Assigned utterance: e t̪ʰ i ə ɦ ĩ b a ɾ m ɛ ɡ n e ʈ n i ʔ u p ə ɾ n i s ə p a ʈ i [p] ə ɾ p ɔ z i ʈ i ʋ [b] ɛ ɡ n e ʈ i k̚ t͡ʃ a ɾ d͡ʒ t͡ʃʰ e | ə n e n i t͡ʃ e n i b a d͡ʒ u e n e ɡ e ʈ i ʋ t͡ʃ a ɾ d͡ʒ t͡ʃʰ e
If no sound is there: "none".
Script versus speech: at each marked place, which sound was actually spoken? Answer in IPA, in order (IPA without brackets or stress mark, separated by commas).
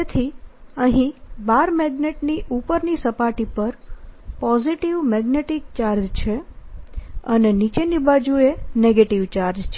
p, m